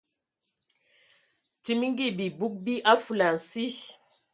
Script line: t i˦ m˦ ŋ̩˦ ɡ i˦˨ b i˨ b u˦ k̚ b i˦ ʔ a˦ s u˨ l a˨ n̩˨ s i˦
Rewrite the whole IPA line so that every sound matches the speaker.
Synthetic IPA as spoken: t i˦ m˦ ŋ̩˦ ɡ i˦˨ b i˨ b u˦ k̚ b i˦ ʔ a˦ f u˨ l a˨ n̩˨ s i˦